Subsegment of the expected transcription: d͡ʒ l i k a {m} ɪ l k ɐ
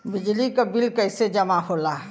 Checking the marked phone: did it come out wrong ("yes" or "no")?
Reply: yes